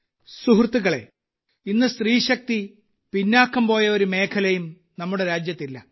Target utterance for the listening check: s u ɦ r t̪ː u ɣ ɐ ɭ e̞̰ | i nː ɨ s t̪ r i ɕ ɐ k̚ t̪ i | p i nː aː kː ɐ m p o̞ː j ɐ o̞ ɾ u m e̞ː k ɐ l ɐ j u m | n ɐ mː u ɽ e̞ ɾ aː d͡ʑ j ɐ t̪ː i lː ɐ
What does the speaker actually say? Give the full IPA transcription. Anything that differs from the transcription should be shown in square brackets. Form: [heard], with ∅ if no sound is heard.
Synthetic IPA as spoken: s u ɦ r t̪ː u ɣ ɐ ɭ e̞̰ | i nː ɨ s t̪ r [iː] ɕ ɐ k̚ t̪ i | p i nː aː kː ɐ m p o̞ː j ɐ o̞ ɾ u m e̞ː [kʰ] ɐ l ɐ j u m | n ɐ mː u ɽ e̞ ɾ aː d͡ʑ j ɐ t̪ː i lː ɐ